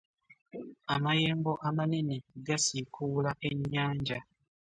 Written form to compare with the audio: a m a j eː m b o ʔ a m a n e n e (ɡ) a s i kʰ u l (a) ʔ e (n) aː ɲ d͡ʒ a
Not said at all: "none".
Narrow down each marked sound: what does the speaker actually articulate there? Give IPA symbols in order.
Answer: ɡ, a, ɲ

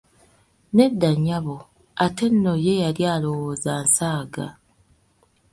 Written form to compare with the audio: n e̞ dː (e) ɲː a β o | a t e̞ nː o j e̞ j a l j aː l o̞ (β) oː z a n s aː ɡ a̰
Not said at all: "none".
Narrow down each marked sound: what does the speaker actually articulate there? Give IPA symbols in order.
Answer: a, w

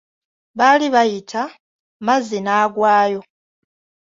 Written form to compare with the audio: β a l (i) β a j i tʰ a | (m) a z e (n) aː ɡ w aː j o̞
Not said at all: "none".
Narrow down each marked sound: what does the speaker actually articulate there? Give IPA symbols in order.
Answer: i, m, n

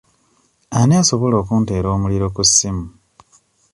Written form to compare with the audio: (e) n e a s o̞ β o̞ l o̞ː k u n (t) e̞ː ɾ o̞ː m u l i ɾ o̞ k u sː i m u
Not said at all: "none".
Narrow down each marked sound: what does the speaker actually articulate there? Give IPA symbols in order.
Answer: a, t

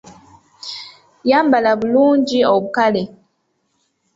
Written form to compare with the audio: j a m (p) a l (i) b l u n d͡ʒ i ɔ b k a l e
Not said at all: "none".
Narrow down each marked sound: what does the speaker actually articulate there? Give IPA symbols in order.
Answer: b, a

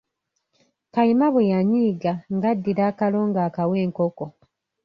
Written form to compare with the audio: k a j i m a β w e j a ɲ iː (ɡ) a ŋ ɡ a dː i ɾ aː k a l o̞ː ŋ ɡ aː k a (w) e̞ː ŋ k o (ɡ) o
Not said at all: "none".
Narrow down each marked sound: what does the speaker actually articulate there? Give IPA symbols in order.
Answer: ɡ, w, k

